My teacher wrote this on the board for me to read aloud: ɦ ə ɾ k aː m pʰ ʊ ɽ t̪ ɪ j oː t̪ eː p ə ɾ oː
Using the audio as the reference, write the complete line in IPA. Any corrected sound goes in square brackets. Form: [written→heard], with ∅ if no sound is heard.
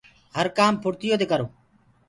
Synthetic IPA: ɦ ə ɾ k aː m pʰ ʊ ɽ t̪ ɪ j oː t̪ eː [p→k] ə ɾ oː